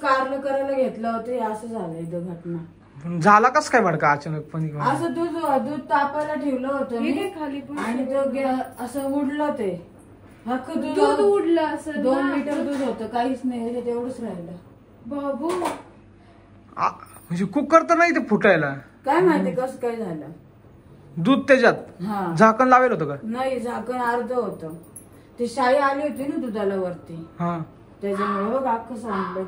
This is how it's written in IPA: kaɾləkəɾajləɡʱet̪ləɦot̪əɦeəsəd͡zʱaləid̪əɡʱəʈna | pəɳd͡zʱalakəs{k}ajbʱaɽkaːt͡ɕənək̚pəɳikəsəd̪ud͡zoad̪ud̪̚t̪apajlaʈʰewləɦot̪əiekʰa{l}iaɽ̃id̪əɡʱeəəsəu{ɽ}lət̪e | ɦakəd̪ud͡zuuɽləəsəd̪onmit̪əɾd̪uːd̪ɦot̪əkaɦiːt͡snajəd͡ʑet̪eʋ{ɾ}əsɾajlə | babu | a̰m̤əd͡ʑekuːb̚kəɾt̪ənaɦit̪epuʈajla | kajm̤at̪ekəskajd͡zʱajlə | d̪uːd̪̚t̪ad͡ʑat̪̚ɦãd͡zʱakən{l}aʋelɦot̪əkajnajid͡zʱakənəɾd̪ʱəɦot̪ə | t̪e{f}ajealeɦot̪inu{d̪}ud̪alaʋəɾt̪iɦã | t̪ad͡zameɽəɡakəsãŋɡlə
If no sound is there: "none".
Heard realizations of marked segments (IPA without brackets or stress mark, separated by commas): k, l, ɽ, ɽ, l, ɕ, d̪